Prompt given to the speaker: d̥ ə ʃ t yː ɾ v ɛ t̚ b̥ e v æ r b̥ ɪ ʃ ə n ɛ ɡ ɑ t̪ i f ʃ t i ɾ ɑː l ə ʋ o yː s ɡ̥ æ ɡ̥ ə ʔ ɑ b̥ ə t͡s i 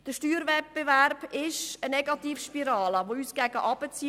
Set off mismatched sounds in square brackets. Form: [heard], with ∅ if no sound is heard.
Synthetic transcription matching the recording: d̥ ə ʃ t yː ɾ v ɛ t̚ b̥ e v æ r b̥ ɪ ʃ ə n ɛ ɡ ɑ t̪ [iː] f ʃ [p] i ɾ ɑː l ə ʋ o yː s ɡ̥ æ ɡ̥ ə ʔ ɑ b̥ ə t͡s i